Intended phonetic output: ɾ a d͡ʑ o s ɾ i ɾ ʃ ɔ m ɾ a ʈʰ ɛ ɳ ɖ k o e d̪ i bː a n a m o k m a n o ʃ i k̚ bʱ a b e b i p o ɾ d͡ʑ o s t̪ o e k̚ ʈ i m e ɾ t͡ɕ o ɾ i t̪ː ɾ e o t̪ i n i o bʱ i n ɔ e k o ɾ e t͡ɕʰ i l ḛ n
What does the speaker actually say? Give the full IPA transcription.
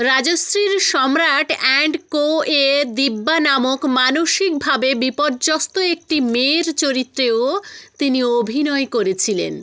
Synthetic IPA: ɾ a d͡ʑ o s ɾ i ɾ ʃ ɔ m ɾ a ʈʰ ɛ ɳ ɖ k o e d̪ i bː a n a m o k m a n o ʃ i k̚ bʱ a b e b i p o ɾ d͡ʑ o s t̪ o e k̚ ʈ i m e ɾ t͡ɕ o ɾ i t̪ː ɾ e o t̪ i n i o bʱ i n ɔ e k o ɾ e t͡ɕʰ i l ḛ n